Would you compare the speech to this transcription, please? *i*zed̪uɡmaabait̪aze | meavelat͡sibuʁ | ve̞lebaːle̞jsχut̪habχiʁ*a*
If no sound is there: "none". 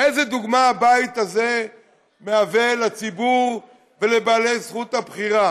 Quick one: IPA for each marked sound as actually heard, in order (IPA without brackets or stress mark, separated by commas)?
e, a